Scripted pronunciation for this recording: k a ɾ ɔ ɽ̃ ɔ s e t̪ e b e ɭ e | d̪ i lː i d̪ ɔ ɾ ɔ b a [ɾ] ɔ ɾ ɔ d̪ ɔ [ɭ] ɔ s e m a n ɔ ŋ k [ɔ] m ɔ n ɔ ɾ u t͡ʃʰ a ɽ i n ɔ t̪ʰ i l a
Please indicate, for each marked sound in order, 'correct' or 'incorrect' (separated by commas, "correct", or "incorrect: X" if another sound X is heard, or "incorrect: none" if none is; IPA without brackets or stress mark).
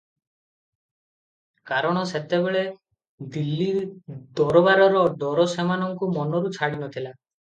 correct, incorrect: ɾ, incorrect: u